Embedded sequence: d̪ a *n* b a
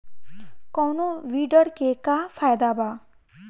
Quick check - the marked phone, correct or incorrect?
incorrect